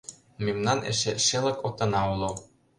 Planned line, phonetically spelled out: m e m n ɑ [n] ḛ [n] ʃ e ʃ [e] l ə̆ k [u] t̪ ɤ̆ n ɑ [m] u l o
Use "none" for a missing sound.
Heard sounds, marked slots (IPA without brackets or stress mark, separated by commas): n, none, e, o, none